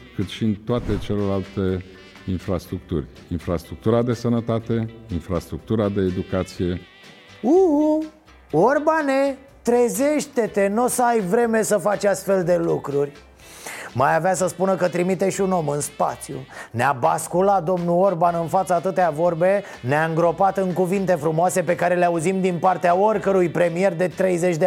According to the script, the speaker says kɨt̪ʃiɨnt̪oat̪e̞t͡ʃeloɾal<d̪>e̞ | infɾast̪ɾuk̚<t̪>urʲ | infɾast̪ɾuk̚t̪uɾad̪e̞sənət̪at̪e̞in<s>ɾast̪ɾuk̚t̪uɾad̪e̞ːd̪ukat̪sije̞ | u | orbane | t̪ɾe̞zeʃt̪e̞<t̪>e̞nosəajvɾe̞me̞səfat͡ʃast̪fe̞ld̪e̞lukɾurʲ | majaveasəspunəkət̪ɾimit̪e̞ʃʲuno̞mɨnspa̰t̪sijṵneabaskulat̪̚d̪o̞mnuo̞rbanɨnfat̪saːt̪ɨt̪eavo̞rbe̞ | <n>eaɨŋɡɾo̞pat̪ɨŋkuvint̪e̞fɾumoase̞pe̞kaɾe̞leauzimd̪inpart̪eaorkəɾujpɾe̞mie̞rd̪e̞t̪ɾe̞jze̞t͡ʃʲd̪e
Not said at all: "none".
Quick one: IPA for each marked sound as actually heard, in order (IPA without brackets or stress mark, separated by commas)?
t̪, t̪, f, t̪, n